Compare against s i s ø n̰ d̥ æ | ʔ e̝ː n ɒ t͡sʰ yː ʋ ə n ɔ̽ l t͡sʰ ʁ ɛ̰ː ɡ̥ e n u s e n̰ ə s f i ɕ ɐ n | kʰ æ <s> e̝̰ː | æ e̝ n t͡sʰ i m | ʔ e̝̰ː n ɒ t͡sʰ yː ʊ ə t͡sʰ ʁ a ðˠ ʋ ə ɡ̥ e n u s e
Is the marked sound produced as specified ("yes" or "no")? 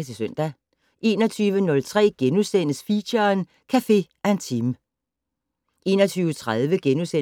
no